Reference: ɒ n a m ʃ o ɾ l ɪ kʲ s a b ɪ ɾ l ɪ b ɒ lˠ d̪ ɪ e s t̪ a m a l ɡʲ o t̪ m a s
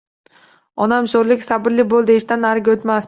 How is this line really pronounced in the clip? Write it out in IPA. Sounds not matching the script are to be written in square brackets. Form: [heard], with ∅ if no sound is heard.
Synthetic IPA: ɒ n a m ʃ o ɾ l ɪ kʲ s a b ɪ ɾ l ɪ b [o] lˠ d̪ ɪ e [ʃ] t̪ a [n] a [ɾ] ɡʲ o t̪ m a s